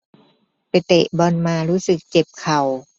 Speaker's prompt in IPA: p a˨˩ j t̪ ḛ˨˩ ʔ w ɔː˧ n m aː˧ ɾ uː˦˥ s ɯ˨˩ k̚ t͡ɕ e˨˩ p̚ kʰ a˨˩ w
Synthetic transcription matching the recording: p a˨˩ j t̪ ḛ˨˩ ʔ b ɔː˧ n m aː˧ ɾ uː˦˥ s ɯ˨˩ k̚ t͡ɕ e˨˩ p̚ kʰ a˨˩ w